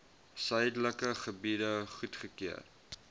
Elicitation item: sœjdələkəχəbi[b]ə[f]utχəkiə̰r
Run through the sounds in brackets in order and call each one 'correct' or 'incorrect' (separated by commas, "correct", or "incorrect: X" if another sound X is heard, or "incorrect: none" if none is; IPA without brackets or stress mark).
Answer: incorrect: d, incorrect: χ